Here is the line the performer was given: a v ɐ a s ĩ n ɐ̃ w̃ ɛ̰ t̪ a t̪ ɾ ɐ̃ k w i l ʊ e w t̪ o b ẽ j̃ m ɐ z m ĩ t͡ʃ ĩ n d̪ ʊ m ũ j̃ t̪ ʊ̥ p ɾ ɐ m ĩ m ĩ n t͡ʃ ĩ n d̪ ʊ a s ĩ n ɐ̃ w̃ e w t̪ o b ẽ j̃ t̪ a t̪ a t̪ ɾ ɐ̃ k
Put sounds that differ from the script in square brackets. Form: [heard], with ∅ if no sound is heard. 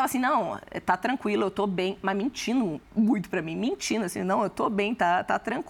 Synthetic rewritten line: a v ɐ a s ĩ n ɐ̃ w̃ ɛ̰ t̪ a t̪ ɾ ɐ̃ k w i l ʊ e w t̪ o b ẽ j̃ m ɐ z m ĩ t͡ʃ ĩ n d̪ ʊ m ũ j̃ t̪ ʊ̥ p ɾ ɐ m ĩ m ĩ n t͡ʃ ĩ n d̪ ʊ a s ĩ n ɐ̃ w̃ e w t̪ o b ẽ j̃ t̪ a t̪ a t̪ ɾ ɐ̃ k